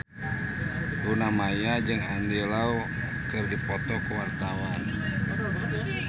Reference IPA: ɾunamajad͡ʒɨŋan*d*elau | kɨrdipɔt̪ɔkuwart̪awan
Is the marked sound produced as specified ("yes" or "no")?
yes